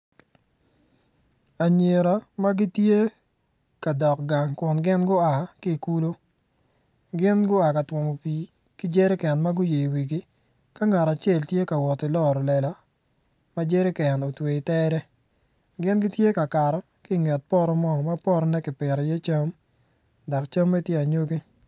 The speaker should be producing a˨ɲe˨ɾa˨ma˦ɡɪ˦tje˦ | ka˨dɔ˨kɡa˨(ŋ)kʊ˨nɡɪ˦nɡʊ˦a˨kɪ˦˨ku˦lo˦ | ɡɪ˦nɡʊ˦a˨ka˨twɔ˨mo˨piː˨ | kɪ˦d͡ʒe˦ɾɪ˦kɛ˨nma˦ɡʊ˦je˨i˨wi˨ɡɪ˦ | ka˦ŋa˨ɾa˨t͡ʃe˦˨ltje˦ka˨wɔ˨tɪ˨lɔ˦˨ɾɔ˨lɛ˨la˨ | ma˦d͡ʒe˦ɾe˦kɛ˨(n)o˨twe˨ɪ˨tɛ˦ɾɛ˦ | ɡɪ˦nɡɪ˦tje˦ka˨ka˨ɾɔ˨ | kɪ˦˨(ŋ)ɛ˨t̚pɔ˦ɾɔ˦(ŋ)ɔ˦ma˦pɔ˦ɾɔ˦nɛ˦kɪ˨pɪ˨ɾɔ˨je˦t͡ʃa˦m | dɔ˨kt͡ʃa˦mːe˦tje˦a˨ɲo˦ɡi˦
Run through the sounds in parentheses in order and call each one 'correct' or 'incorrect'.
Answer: correct, correct, correct, incorrect

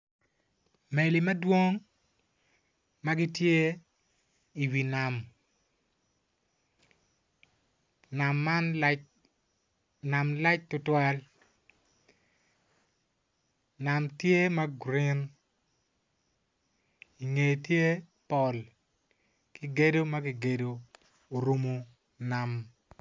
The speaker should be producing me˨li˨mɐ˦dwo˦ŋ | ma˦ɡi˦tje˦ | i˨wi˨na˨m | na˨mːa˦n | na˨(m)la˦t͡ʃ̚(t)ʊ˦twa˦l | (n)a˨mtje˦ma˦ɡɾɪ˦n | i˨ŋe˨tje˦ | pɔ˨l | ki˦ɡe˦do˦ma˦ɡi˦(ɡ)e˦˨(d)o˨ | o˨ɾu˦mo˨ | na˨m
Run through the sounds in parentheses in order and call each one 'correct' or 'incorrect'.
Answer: correct, correct, correct, correct, correct

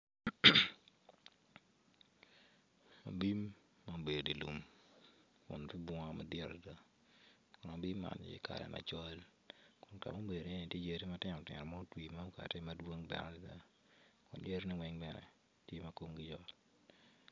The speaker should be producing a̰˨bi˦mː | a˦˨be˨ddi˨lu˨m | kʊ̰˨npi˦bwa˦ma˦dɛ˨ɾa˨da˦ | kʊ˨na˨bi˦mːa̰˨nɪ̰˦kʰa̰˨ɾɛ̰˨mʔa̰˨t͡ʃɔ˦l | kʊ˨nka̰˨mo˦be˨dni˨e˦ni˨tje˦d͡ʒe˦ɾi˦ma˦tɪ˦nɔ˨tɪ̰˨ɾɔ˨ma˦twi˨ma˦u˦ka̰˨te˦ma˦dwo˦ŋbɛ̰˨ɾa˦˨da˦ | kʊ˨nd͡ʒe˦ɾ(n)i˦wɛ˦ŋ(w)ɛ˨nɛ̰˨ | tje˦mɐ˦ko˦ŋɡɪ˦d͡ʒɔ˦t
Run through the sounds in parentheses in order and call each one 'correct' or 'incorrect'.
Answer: correct, incorrect

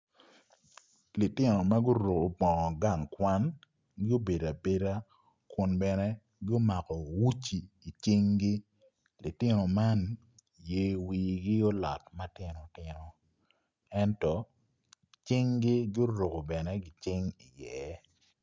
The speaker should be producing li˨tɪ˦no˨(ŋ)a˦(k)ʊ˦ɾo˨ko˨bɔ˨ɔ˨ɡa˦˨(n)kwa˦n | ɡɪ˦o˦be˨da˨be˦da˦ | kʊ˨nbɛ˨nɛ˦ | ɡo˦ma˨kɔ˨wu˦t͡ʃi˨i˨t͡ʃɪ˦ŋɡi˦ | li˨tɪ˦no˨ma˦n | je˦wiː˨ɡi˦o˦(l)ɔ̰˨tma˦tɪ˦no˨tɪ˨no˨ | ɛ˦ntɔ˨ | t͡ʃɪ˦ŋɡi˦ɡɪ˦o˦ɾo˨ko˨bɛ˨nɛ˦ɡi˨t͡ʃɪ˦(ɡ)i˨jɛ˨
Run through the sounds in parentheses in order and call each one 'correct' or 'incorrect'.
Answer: incorrect, incorrect, incorrect, correct, incorrect

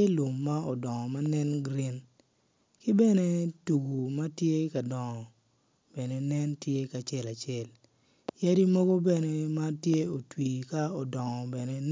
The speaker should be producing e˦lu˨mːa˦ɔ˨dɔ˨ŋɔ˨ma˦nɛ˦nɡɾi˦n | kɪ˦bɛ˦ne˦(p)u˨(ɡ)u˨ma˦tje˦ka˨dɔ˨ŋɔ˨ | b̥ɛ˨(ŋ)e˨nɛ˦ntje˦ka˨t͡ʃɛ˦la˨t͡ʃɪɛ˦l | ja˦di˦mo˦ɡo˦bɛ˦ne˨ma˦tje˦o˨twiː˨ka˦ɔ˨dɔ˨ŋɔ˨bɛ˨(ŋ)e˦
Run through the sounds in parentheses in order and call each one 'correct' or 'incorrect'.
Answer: incorrect, correct, incorrect, incorrect

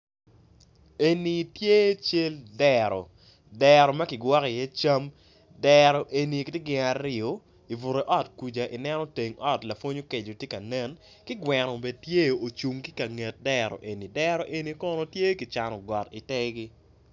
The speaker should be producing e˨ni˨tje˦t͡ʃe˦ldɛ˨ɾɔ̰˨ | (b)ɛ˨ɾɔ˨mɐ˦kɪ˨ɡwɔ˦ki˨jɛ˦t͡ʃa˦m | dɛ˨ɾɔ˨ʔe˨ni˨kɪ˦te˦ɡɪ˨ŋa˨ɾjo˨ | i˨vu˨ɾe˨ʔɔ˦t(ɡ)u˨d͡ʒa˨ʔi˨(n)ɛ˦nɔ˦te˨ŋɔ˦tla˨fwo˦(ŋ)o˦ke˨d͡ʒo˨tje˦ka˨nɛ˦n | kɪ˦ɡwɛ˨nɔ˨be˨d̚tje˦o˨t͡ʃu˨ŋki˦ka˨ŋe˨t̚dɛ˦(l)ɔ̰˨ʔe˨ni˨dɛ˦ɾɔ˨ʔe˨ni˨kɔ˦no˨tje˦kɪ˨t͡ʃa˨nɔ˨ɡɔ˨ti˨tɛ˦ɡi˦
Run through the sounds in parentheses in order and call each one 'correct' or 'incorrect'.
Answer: incorrect, incorrect, correct, incorrect, incorrect

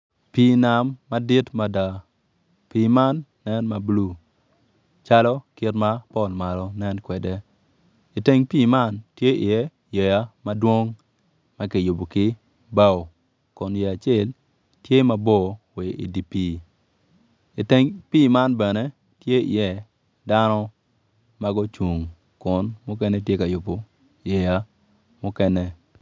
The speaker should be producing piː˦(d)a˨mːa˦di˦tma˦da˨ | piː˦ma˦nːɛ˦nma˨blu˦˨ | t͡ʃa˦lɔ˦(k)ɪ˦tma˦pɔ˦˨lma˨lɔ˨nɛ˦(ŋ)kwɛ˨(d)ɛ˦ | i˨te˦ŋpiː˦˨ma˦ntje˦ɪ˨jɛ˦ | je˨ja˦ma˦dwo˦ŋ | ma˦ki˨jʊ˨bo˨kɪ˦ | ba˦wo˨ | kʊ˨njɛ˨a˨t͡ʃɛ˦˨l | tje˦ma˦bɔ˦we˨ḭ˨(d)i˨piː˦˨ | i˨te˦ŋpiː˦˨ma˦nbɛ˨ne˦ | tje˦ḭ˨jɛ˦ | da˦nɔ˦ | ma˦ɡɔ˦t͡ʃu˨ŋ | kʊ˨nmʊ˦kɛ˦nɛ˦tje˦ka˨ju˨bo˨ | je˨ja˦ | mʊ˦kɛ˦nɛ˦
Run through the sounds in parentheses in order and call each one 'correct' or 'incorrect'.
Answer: incorrect, correct, incorrect, correct, correct

